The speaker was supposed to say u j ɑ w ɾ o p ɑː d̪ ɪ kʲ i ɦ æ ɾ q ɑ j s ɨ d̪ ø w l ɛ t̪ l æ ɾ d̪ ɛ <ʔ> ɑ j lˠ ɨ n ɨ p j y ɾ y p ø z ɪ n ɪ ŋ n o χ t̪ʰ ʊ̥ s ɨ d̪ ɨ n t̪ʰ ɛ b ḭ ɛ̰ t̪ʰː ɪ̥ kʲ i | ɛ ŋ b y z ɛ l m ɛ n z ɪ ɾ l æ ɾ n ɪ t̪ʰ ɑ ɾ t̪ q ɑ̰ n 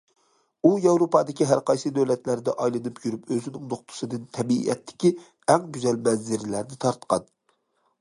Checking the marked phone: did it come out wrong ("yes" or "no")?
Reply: no